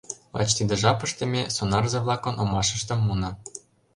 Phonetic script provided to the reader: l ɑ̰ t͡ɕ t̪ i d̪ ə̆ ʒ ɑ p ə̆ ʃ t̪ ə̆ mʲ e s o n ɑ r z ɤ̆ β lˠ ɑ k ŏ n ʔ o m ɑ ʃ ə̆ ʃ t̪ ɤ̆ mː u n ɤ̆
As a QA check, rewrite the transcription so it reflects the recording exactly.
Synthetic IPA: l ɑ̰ t͡ɕ t̪ i d̪ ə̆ ʒ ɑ p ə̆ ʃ t̪ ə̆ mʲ e s o n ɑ r z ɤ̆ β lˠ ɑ k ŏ n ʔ o m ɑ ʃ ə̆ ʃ t̪ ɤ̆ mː u n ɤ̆